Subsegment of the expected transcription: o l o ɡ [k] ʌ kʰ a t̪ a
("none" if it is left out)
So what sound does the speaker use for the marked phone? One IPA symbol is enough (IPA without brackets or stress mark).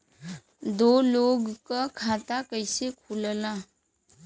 k